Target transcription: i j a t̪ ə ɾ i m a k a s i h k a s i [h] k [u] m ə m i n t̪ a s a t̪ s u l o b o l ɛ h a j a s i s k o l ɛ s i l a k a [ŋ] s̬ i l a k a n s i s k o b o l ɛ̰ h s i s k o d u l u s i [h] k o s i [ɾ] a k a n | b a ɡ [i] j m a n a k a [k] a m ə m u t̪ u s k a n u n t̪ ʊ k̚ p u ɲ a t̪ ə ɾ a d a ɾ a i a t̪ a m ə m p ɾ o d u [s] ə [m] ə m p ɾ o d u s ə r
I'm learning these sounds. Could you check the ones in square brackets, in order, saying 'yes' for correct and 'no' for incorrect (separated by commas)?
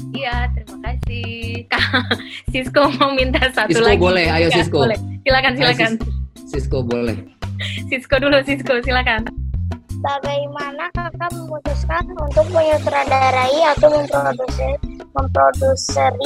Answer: no, no, no, no, no, no, yes, yes, yes